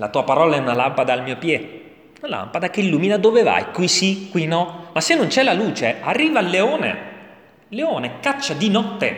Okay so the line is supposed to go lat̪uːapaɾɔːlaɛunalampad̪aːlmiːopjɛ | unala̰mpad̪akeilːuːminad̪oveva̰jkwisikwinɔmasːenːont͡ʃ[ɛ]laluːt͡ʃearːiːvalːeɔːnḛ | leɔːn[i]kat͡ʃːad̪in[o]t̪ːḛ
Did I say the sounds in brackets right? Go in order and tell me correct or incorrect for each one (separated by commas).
correct, incorrect, incorrect